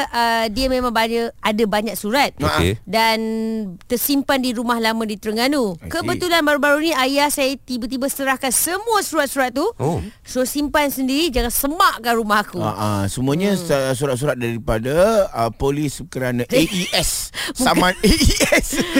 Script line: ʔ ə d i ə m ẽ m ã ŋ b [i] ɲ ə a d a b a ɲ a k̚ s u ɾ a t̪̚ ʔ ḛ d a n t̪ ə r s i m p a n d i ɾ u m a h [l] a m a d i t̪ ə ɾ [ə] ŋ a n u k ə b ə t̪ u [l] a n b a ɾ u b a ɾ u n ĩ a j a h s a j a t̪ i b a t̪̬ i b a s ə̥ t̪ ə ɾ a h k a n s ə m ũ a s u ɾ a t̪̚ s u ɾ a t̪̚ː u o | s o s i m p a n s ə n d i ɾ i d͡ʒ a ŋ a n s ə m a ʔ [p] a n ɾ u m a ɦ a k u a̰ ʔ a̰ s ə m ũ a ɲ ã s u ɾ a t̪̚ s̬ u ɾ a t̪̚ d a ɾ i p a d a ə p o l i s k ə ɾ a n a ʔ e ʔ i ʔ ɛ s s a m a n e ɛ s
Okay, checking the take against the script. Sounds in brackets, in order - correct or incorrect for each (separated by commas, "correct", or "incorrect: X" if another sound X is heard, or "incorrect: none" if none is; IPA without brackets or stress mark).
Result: incorrect: a, correct, correct, correct, incorrect: k